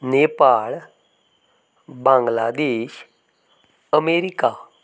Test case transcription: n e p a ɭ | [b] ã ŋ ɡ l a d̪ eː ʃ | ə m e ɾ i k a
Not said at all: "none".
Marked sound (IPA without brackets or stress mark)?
b